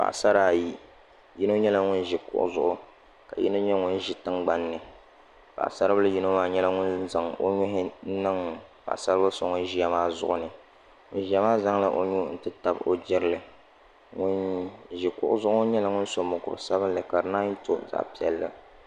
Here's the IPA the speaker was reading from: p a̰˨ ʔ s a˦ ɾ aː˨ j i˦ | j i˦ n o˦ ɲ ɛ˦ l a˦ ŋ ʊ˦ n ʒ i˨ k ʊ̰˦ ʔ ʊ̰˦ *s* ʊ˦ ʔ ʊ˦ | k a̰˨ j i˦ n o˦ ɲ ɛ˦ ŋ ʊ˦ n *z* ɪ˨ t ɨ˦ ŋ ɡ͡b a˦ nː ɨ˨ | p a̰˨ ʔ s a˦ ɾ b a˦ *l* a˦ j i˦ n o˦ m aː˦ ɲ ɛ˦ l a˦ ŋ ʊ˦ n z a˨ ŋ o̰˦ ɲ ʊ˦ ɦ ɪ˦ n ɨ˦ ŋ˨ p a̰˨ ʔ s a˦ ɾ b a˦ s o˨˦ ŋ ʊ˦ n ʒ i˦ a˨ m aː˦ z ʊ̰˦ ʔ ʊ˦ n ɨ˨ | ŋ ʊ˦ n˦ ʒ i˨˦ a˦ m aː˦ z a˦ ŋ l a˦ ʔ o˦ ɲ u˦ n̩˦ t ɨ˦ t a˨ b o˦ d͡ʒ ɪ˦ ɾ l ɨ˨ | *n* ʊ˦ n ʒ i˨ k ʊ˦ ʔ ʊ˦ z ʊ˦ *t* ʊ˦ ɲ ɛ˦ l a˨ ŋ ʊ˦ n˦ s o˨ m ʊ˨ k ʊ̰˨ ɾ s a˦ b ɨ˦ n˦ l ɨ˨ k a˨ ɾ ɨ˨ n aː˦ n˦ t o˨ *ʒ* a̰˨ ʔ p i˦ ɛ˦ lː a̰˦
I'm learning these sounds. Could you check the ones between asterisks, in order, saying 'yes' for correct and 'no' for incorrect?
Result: no, no, yes, no, no, no

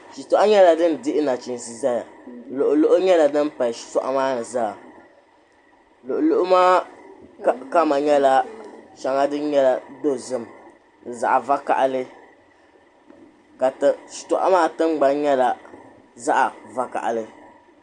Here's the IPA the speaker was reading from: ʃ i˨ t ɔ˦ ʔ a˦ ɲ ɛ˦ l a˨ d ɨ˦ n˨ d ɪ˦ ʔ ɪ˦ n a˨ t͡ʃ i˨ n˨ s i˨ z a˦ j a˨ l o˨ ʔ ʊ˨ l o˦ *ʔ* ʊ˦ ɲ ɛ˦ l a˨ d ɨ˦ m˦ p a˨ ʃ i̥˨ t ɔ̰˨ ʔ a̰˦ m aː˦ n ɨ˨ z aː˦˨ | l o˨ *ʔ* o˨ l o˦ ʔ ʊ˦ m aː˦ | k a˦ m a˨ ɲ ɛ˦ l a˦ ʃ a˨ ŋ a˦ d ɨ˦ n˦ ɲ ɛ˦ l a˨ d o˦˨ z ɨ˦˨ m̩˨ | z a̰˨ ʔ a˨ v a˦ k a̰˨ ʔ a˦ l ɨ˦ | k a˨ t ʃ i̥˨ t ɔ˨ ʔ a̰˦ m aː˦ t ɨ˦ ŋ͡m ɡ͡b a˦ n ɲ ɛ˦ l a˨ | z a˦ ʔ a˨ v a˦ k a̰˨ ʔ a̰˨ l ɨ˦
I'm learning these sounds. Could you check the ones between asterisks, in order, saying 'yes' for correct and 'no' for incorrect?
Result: yes, yes

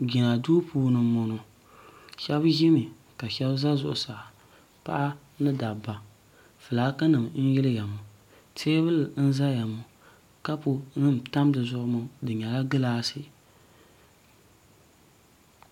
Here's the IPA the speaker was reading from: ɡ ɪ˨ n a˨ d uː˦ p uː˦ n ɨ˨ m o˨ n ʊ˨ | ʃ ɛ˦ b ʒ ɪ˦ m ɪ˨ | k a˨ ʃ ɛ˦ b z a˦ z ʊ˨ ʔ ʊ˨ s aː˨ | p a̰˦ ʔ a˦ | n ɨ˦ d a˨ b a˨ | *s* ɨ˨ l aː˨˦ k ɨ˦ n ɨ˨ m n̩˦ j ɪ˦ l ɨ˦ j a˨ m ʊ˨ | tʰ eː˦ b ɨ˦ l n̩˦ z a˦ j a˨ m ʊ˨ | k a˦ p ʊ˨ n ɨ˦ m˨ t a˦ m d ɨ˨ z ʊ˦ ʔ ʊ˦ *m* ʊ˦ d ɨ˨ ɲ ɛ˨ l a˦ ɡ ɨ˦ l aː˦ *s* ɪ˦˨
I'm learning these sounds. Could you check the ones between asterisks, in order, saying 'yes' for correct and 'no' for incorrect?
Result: no, yes, yes

